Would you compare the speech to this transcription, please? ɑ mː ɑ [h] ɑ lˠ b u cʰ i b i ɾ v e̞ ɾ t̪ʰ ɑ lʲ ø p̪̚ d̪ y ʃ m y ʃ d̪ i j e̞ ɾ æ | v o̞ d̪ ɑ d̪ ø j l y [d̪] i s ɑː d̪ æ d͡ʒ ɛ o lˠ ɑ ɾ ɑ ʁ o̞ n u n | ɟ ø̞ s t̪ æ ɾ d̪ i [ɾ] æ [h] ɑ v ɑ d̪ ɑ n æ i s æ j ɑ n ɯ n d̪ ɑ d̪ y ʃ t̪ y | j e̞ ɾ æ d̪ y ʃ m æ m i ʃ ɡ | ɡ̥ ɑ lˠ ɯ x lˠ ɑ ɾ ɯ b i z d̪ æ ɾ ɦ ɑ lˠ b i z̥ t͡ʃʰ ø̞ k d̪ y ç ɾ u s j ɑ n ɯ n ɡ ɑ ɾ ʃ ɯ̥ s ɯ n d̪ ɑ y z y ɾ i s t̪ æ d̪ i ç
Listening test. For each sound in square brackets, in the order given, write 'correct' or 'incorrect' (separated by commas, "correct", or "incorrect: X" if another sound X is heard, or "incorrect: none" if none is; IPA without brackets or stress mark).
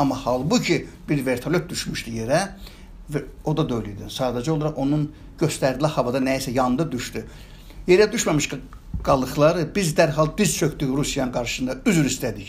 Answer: correct, correct, incorrect: l, correct